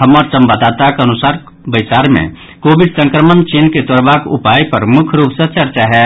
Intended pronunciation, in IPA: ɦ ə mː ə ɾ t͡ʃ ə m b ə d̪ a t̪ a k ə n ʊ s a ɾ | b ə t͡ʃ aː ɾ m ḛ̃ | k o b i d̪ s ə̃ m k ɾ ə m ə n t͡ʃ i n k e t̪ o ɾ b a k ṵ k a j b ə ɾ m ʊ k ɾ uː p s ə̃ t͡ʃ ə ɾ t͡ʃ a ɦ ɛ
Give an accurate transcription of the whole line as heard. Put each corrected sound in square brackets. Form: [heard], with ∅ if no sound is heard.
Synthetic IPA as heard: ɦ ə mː ə ɾ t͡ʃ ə m b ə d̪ a t̪ a k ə n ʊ s a ɾ | b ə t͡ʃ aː ɾ m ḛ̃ | k o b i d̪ s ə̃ [ŋ] k ɾ ə m ə n t͡ʃ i n k e t̪ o ɾ b a k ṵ [p] a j [p] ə ɾ m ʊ [kʰ] ɾ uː p s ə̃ t͡ʃ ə ɾ t͡ʃ a ɦ ɛ